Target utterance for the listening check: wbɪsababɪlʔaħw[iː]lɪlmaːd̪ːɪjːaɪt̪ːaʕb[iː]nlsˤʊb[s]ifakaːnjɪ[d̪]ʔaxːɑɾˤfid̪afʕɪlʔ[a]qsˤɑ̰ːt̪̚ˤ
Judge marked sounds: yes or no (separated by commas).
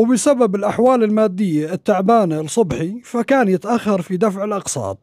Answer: no, no, no, no, no